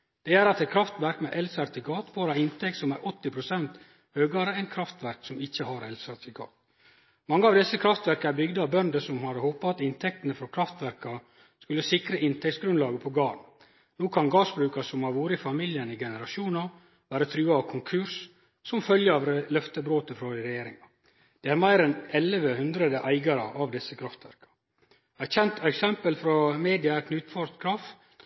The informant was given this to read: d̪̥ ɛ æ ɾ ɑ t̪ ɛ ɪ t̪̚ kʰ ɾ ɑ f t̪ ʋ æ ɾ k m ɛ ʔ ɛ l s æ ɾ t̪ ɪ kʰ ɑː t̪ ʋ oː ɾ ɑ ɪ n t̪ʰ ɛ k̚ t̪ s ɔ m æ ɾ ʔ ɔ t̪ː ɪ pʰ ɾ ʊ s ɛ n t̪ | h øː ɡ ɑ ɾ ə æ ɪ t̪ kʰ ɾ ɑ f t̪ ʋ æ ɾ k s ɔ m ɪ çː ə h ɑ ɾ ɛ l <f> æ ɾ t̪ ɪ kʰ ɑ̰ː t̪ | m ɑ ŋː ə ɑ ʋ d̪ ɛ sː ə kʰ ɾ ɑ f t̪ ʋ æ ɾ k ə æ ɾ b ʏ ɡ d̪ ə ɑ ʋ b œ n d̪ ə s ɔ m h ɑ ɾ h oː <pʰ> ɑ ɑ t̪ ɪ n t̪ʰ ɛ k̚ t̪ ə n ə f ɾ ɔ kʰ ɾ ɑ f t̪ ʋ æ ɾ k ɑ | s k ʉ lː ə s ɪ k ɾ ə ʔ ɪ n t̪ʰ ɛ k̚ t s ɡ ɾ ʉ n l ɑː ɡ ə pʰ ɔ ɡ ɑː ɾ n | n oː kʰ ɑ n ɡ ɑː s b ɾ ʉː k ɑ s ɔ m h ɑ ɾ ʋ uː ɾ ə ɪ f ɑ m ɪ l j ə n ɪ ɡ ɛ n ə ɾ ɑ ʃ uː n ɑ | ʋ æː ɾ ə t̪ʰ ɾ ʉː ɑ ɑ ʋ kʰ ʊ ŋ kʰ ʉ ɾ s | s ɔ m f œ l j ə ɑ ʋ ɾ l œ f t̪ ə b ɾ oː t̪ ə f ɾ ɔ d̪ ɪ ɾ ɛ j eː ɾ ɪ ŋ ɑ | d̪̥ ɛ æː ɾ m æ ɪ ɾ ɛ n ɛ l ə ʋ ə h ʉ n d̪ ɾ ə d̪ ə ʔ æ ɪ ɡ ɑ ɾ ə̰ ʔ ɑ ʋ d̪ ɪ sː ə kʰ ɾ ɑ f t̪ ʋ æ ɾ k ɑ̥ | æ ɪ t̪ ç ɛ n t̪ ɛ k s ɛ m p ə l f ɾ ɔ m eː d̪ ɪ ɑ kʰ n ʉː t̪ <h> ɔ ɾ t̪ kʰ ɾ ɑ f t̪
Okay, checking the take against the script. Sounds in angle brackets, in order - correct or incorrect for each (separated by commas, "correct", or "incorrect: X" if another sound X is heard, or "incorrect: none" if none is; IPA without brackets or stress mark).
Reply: incorrect: s, incorrect: p, incorrect: f